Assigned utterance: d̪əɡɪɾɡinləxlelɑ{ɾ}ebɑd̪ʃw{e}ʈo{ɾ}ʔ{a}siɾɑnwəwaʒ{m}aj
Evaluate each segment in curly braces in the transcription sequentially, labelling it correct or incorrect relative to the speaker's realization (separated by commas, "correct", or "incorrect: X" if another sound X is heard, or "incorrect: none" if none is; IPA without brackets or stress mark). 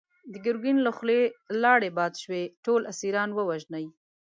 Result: incorrect: ɽ, correct, incorrect: l, correct, incorrect: n